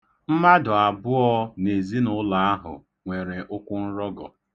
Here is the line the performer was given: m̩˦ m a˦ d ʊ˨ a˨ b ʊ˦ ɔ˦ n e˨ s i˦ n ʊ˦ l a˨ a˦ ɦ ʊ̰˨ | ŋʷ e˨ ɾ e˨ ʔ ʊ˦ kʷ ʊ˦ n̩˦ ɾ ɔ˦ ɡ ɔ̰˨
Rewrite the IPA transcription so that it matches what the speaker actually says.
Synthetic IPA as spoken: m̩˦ m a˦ d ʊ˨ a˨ b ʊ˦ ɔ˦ n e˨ z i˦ n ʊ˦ l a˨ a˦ ɦ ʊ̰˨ | ŋʷ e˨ ɾ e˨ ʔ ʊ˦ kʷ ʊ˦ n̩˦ ɾ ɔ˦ ɡ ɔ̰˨